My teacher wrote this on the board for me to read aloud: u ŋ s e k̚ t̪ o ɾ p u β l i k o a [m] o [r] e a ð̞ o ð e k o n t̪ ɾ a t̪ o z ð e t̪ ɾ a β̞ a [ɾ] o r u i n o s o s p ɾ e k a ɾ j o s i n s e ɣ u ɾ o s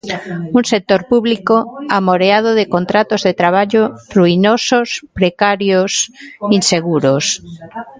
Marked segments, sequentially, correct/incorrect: correct, incorrect, incorrect

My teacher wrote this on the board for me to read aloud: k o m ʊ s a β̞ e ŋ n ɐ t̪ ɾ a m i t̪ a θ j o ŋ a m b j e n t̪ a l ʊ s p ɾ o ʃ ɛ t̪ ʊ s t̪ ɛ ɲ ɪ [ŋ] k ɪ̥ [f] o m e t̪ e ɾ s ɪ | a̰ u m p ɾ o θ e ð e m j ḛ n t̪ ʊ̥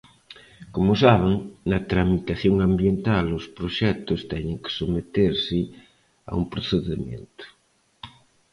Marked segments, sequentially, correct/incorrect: correct, incorrect

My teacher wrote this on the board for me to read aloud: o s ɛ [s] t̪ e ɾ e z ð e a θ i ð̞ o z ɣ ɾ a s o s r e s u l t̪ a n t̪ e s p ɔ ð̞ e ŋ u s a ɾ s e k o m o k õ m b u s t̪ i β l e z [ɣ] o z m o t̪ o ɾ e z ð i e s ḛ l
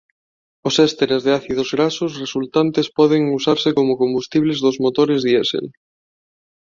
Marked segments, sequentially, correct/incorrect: correct, incorrect

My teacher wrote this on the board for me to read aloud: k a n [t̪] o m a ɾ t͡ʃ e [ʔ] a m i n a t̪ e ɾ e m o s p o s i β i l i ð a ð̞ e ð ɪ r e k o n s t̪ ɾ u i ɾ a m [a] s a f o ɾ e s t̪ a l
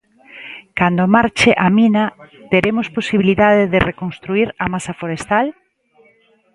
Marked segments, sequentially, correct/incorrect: incorrect, correct, correct

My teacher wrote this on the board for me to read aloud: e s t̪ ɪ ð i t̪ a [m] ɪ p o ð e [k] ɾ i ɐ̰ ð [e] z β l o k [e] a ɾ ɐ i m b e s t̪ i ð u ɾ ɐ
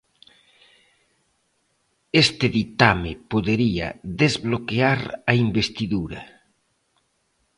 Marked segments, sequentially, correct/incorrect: correct, incorrect, correct, correct

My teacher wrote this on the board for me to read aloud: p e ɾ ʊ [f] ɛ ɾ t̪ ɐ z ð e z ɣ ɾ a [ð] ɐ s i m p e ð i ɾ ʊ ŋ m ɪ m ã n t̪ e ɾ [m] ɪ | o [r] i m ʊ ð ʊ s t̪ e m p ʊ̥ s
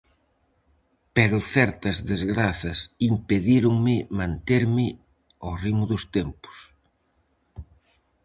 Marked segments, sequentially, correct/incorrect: incorrect, incorrect, correct, correct

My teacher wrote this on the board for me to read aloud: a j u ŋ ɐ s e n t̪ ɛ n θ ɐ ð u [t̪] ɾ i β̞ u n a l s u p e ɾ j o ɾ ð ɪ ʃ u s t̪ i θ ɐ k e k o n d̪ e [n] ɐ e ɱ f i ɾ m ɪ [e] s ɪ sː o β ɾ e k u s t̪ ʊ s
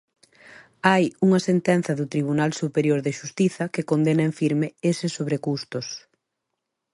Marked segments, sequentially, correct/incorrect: correct, correct, correct

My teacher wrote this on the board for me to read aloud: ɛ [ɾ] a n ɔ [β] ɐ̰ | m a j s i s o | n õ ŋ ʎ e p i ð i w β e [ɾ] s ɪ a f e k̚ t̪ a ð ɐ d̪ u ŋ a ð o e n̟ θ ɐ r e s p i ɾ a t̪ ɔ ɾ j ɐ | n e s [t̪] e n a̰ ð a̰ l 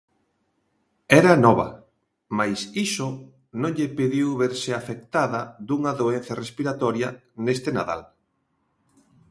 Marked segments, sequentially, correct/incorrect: correct, correct, correct, correct

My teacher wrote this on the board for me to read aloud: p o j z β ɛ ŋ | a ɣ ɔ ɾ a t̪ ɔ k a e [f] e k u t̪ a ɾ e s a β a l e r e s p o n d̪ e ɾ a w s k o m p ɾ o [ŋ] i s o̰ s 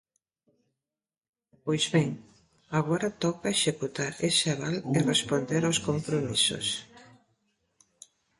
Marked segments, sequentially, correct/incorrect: incorrect, incorrect

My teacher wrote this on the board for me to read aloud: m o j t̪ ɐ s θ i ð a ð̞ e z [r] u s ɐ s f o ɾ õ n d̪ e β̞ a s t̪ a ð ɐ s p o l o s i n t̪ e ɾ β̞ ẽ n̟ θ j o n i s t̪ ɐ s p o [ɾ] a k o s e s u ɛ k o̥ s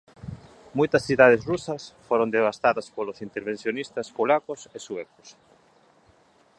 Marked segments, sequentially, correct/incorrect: correct, incorrect

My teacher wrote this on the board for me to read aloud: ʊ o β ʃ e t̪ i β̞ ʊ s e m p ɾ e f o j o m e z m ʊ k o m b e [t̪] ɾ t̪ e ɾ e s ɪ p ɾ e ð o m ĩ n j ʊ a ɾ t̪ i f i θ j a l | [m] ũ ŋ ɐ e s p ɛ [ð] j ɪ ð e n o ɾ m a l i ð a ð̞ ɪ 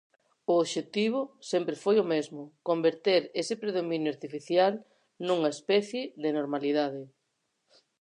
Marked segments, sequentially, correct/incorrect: incorrect, incorrect, incorrect

